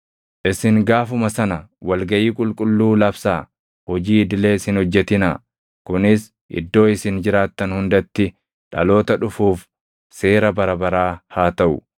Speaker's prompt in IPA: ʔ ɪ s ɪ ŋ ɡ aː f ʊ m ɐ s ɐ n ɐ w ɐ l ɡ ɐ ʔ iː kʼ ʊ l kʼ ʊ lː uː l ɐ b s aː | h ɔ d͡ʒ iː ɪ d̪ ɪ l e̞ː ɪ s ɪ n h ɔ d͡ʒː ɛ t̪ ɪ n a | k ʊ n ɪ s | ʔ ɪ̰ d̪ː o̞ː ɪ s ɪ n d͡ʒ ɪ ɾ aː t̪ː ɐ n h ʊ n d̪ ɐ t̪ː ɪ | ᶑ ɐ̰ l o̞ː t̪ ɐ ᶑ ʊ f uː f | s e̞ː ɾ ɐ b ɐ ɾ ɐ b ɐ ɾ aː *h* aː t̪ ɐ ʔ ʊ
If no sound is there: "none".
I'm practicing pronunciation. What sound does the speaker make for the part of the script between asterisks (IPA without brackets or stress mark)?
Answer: h